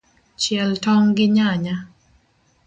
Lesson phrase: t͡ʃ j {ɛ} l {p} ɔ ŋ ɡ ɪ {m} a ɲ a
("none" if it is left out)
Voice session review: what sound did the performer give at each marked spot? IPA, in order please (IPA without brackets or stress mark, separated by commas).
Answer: ɛ, t, ɲ